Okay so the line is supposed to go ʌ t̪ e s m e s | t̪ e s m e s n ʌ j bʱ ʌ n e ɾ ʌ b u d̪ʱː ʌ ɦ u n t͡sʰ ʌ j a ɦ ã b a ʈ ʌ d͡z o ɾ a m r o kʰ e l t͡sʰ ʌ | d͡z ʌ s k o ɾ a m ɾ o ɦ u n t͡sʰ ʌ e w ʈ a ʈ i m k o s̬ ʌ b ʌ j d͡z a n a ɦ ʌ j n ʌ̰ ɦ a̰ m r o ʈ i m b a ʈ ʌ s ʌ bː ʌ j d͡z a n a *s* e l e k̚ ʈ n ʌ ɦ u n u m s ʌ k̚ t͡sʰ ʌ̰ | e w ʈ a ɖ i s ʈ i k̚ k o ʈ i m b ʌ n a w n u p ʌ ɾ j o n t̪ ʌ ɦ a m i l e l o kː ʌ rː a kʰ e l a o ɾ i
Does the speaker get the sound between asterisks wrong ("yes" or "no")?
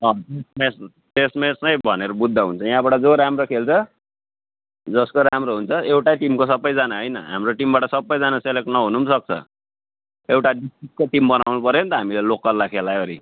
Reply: no